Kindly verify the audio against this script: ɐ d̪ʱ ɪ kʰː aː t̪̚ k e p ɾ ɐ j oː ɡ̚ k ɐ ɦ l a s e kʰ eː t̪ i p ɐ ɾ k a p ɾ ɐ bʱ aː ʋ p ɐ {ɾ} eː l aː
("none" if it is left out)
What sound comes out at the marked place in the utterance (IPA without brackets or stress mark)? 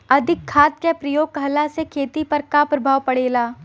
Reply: ɽ